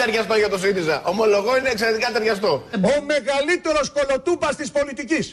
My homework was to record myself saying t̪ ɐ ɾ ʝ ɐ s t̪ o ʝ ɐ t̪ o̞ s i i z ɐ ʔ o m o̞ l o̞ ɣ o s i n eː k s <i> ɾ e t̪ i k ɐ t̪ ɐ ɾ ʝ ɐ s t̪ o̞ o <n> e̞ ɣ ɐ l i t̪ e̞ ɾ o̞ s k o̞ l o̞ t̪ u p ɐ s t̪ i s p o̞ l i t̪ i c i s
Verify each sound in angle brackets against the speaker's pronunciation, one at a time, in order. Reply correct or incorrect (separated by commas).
incorrect, incorrect